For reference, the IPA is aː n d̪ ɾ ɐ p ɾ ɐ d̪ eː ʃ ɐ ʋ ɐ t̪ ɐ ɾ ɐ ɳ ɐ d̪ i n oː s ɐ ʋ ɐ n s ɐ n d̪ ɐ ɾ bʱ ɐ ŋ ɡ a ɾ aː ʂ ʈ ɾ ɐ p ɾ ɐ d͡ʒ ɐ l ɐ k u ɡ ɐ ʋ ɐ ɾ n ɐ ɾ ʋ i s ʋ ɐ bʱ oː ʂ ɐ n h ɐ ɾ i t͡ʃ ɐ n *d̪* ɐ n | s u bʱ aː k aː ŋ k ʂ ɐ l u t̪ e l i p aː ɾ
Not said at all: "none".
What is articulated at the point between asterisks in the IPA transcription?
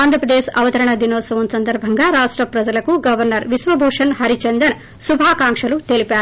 d̪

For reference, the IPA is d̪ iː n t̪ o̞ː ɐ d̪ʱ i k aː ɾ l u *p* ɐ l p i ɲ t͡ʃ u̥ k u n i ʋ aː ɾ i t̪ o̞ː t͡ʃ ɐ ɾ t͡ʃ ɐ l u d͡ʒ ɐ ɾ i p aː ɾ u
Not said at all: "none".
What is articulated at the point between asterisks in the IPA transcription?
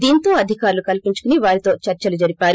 k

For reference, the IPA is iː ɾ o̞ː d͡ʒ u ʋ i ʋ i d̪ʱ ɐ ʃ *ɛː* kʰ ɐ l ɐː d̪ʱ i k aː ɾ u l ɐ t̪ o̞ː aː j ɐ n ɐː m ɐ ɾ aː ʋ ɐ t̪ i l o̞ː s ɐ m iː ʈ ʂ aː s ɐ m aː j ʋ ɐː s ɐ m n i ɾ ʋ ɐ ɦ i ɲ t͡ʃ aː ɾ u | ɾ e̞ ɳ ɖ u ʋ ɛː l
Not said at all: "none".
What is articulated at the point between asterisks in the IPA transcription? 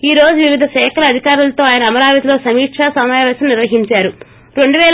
ɛː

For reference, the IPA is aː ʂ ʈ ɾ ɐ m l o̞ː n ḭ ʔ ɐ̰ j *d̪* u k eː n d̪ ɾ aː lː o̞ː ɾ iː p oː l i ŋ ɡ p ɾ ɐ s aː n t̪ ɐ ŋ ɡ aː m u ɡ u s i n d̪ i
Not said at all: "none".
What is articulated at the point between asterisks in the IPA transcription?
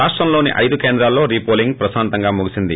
d̪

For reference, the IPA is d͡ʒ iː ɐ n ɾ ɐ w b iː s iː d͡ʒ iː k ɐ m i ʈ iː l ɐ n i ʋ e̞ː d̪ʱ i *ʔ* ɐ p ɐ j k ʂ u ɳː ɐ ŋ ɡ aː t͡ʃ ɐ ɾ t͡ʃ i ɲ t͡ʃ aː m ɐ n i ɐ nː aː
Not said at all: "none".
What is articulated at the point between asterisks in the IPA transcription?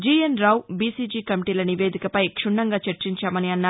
k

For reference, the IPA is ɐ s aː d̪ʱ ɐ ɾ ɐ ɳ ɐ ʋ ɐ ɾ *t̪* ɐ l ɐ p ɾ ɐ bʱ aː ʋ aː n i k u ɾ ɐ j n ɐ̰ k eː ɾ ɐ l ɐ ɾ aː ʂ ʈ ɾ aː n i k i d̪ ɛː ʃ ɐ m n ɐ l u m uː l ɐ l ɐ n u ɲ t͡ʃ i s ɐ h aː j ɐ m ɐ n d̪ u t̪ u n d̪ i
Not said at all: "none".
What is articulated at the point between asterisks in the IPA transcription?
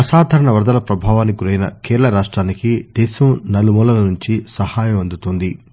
d̪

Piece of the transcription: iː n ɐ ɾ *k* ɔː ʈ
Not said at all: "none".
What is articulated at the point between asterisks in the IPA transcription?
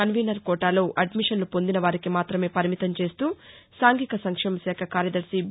k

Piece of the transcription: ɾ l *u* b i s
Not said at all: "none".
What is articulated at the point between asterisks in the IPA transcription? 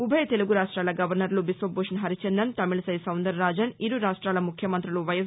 u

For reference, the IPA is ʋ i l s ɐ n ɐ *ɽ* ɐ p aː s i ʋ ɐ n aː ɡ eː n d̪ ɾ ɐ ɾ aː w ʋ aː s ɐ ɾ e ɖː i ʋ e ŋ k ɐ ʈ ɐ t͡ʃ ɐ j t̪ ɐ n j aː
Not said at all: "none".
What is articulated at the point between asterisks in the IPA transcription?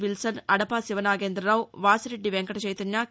ɽ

